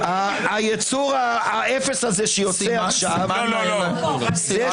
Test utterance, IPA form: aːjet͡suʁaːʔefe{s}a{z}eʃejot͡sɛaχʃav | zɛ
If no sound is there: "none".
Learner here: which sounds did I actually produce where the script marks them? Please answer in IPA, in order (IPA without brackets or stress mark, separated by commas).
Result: s, z